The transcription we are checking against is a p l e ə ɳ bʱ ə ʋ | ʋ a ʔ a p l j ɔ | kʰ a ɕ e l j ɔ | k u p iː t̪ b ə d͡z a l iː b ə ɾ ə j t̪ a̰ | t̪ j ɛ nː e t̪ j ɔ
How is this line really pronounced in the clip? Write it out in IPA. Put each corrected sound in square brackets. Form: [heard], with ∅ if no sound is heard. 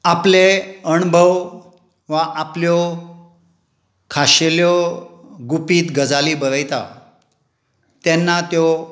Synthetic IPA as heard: a p l e ə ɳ bʱ ə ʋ | ʋ a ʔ a p l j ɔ | kʰ a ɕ e l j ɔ | [ɡ] u p iː t̪ [ɡ] ə d͡z a l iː b ə ɾ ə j t̪ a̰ | t̪ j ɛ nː [a] t̪ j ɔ

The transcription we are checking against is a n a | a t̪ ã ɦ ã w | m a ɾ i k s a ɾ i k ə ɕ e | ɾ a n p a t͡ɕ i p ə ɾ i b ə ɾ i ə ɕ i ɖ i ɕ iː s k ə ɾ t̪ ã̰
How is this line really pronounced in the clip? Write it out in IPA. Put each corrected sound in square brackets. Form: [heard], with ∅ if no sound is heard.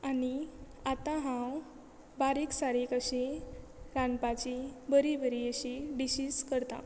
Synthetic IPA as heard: a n [i] | a t̪ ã ɦ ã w | [b] a ɾ i k s a ɾ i k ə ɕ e | ɾ a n p a t͡ɕ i [b] ə ɾ i b ə ɾ i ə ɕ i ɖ i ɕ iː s k ə ɾ t̪ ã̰

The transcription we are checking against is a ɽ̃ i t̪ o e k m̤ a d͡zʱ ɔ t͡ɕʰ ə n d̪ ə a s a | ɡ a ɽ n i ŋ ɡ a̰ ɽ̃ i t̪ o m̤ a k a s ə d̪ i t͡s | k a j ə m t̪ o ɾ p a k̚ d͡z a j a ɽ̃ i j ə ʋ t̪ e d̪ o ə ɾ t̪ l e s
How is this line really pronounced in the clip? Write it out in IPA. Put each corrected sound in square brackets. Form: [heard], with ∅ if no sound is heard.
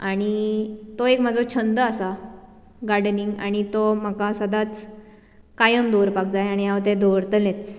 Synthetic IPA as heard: a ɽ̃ i t̪ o e k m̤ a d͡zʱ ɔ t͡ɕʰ ə n d̪ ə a s a | ɡ a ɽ n i ŋ ɡ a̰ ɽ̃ i t̪ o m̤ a k a s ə d̪ [a] t͡s | k a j ə m [d̪] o ɾ p a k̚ d͡z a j a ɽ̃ i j [a] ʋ t̪ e d̪ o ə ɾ t̪ l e [t͡s]

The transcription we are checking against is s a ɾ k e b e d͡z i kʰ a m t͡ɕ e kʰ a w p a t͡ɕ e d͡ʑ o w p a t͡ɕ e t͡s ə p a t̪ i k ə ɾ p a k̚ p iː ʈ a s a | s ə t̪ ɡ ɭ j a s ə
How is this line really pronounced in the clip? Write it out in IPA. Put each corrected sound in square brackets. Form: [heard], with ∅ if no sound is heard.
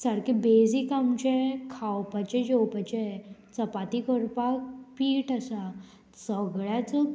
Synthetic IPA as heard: s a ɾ k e b e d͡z i [k] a m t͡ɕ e kʰ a w p a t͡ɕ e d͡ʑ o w p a t͡ɕ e t͡s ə p a t̪ i k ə ɾ p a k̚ p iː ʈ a s a | s ə [∅] ɡ ɭ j a [t͡s] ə

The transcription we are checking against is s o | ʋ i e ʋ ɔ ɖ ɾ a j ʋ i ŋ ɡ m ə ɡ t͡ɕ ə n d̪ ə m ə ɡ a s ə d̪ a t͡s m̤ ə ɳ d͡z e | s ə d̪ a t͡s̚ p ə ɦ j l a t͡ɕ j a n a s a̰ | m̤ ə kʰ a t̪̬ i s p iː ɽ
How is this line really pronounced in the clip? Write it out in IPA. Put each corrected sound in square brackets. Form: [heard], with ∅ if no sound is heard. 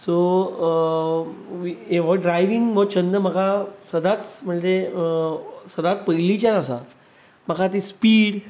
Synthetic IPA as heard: s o | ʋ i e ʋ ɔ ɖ ɾ a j ʋ i ŋ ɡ m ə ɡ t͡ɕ ə n d̪ ə m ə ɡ a s ə d̪ a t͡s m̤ ə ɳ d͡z e | s ə d̪ a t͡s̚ p ə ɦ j l [i] t͡ɕ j a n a s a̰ | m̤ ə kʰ a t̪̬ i s p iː ɽ

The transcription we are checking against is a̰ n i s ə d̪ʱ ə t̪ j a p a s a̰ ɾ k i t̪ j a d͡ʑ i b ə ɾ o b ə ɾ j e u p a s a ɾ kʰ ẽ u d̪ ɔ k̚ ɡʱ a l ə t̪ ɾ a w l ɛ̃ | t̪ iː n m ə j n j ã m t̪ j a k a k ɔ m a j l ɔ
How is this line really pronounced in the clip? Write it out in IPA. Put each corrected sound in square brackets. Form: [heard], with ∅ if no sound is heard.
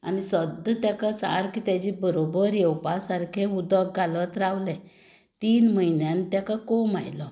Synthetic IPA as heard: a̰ n i s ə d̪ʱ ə t̪ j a [k] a [t͡s] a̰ ɾ k i t̪ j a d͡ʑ i b ə ɾ o b ə ɾ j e [w] p a s a ɾ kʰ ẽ u d̪ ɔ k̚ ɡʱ a l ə t̪ ɾ a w l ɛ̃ | t̪ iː n m ə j n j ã [n] t̪ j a k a k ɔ m a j l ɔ

